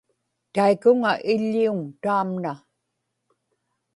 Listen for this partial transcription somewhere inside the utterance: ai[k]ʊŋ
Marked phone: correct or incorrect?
correct